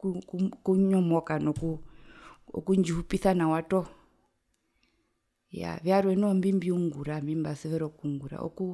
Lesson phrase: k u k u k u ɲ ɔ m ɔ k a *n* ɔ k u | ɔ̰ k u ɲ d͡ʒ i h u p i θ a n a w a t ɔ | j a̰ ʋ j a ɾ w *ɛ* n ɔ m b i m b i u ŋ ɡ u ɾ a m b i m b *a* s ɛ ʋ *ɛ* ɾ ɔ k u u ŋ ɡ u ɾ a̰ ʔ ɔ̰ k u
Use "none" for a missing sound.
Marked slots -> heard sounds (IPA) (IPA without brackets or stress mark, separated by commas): n, ɛ, a, ɛ